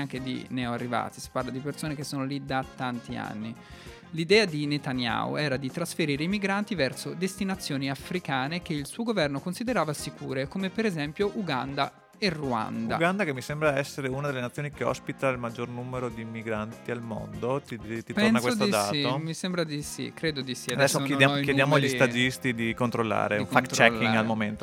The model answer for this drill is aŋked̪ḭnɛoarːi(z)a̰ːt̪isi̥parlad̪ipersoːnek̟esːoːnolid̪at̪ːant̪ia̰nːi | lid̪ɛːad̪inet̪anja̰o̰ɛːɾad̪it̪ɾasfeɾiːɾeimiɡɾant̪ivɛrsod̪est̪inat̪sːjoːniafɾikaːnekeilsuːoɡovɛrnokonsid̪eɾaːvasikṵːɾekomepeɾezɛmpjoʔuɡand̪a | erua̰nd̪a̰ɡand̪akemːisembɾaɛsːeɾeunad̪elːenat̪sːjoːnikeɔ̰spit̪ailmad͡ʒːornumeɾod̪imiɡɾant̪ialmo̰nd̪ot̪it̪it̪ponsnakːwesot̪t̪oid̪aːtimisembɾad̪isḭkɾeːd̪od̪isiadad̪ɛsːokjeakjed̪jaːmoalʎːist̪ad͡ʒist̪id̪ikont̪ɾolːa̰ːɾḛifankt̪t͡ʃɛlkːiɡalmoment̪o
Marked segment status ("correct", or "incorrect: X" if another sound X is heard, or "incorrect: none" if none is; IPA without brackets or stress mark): incorrect: v